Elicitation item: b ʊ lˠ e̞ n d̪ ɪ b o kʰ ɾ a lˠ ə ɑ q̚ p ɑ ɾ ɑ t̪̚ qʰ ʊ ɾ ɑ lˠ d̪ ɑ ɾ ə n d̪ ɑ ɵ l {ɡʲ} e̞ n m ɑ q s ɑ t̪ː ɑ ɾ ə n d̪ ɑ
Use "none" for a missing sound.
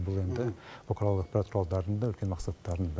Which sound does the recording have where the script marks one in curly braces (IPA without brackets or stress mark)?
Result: kʲ